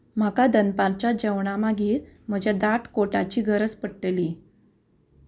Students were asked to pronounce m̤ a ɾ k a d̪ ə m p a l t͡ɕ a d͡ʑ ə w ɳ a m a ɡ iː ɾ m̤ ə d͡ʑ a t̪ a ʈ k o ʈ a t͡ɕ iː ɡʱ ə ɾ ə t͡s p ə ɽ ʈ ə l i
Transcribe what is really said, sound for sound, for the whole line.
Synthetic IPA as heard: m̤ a k a d̪ ə n p a l t͡ɕ a d͡ʑ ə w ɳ a m a ɡ iː ɾ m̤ ə d͡ʑ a d̪ a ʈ k o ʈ a t͡ɕ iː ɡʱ ə ɾ ə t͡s p ə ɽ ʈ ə l i